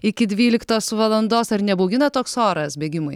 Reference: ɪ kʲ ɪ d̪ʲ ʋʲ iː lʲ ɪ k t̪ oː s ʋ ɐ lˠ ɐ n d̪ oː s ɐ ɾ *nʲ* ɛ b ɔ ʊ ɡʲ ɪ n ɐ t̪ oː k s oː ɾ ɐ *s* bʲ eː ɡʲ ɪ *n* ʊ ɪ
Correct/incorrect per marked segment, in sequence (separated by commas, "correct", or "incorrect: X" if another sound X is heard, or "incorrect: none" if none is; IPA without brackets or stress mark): correct, correct, incorrect: m